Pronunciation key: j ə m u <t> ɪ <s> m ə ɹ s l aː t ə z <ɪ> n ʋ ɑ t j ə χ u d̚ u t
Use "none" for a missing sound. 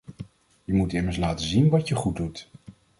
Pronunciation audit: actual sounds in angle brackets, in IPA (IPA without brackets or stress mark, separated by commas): t, none, i